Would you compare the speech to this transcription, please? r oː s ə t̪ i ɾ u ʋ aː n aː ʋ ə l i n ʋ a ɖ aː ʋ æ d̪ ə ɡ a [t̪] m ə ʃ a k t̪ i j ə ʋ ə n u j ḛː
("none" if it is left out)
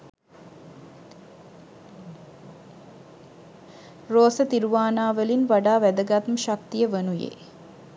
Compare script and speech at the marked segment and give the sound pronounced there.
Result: t̪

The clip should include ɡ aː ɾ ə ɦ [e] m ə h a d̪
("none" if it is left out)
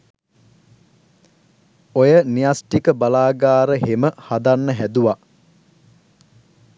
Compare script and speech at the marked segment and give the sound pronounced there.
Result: e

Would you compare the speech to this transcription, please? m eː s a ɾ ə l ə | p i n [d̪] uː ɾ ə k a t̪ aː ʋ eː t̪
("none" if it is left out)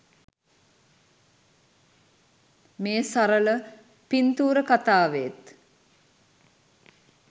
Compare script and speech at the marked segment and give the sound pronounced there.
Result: t̪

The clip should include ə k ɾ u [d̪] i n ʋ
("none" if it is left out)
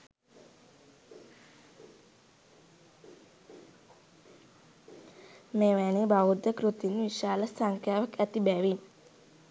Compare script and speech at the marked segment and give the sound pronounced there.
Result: t̪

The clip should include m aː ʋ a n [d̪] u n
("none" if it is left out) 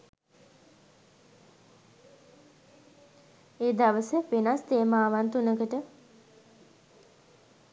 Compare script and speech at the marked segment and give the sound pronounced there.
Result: t̪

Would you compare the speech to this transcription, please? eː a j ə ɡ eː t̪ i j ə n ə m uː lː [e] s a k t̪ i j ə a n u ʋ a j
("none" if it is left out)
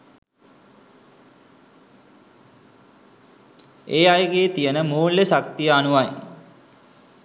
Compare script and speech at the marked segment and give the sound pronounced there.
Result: e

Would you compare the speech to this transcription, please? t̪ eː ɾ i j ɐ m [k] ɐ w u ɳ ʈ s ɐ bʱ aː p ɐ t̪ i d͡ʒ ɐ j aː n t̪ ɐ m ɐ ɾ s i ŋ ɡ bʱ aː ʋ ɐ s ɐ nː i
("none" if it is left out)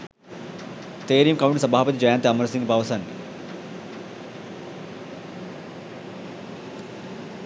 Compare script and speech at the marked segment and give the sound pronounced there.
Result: k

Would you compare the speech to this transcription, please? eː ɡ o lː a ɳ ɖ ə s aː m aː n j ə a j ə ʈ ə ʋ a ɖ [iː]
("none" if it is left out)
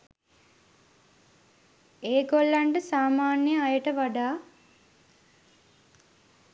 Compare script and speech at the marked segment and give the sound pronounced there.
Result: aː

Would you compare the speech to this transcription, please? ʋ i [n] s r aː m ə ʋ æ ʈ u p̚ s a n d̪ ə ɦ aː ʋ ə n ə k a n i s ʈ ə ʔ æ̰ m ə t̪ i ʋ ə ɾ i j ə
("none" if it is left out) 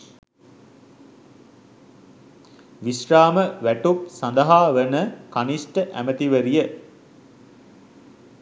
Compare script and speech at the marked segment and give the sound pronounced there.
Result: none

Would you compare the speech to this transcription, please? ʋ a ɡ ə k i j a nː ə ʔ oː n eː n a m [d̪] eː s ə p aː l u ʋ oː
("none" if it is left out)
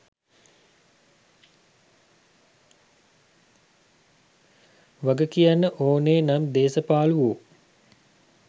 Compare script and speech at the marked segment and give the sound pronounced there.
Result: d̪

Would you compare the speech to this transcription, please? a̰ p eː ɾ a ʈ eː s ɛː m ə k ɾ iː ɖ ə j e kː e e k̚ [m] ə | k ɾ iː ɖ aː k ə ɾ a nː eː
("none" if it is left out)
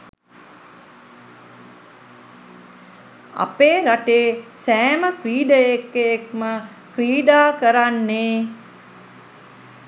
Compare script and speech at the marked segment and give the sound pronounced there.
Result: m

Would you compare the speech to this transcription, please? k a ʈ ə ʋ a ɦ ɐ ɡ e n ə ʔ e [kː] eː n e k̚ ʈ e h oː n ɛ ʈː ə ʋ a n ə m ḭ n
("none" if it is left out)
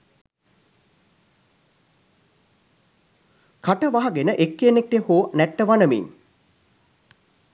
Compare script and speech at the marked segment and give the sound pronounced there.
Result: kː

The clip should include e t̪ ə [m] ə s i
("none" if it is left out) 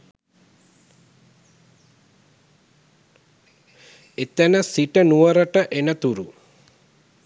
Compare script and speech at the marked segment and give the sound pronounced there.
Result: n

